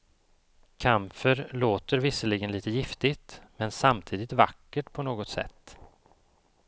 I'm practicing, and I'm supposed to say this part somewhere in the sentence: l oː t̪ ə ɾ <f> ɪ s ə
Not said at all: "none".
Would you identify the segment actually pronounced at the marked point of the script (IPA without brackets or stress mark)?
v